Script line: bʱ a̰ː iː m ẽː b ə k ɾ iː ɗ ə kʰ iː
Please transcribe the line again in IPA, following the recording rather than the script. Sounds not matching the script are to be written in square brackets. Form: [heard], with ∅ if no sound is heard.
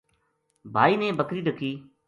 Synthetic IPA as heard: bʱ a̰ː iː [n] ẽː b ə k ɾ iː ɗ ə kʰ iː